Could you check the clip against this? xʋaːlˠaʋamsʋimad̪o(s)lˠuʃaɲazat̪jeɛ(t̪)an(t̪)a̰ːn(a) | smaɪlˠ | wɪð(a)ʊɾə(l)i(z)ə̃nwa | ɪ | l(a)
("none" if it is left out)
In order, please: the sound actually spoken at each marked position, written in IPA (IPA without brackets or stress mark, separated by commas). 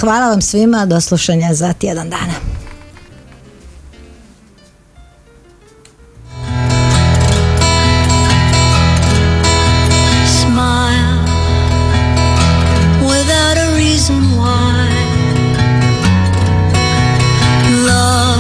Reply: s, d̪, d̪, a, a, ɹ, z, ʌ